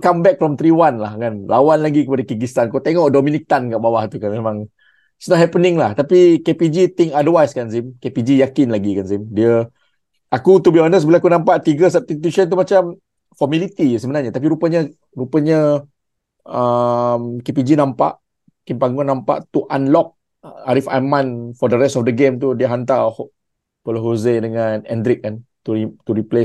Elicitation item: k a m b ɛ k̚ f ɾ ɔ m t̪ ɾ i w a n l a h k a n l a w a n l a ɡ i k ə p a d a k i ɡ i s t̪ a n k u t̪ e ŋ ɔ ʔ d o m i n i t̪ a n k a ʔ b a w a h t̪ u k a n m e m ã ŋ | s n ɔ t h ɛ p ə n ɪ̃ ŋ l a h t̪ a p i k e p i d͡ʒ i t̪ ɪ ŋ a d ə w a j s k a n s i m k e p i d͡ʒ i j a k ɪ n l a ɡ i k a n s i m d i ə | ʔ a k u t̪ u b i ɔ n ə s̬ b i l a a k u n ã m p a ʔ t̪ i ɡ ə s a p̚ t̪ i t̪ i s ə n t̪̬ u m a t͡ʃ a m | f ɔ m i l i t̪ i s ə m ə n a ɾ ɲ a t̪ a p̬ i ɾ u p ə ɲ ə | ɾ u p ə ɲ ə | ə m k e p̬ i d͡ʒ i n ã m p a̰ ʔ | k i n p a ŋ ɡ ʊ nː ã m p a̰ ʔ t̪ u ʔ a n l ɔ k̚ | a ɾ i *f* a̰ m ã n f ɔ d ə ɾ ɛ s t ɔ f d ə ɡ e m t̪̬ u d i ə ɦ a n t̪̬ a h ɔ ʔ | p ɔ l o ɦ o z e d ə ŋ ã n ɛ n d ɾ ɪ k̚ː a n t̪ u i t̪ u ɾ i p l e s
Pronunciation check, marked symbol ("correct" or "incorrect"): correct